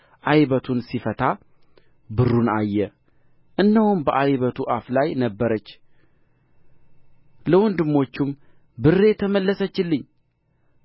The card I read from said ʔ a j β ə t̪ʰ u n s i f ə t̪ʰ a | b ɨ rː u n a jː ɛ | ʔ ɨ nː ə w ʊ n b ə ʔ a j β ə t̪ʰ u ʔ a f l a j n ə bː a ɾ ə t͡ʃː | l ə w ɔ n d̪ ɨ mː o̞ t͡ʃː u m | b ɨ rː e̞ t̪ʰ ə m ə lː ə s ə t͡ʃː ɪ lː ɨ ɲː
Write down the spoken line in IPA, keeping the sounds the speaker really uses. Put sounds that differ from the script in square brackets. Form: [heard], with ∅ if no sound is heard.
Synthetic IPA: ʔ a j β ə t̪ʰ u n s i f ə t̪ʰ a | b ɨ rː u n a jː ɛ | ʔ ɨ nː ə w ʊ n b ə ʔ a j β ə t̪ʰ u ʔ a f l a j n ə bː [ə] ɾ ə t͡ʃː | l ə w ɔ n d̪ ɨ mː o̞ t͡ʃː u m | b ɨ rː e̞ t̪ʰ ə m ə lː ə s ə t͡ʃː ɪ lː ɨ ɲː